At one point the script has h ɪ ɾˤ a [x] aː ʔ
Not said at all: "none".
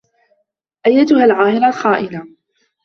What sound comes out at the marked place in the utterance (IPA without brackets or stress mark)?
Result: x